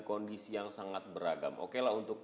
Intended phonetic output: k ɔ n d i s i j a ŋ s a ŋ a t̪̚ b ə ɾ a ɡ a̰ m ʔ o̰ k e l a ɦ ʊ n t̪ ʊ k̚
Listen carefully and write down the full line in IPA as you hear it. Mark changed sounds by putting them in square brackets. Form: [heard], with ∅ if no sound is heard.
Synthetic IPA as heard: k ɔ n d i s i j a ŋ s a ŋ a t̪̚ b ə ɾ a ɡ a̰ m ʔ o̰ k e l a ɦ [u] n t̪ ʊ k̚